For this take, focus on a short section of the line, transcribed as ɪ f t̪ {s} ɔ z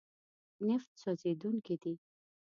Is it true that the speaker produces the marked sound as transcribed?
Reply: yes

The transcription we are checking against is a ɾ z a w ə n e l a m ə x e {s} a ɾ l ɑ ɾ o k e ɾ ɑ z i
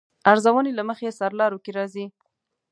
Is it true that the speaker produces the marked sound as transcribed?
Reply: yes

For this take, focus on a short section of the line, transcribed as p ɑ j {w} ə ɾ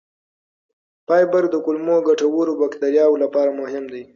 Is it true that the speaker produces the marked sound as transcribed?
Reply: no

